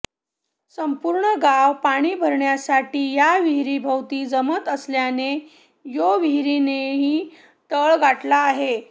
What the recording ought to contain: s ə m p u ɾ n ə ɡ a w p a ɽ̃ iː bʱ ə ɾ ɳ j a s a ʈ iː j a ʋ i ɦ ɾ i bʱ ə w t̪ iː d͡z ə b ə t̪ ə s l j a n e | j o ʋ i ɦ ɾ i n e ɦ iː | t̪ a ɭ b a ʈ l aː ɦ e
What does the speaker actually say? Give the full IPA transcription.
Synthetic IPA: s ə m p u ɾ ɳ ə ɡ a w p a ɽ̃ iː bʱ ə ɾ ɳ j a s a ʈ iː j a ʋ i ɦ ɾ i bʱ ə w t̪ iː d͡z ə m ə t̪ ə s l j a n e | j o ʋ i ɦ ɾ i n e ɦ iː | t̪ ə ɭ ɡ a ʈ l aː ɦ e